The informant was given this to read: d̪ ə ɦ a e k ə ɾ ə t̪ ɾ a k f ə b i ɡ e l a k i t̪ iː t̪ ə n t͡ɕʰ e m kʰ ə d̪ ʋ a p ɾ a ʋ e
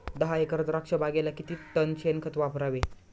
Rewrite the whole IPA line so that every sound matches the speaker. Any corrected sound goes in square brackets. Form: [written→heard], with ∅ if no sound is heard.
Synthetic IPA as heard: d̪ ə ɦ a e k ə ɾ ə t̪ ɾ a k [f→ʂ] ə b [i→a] ɡ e l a k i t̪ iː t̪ ə n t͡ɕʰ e [m→n] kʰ ə [d̪→t̪] ʋ a p ɾ a ʋ e